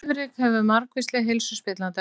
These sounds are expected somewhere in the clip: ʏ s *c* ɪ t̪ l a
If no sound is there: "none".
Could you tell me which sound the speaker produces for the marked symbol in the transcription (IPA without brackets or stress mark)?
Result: p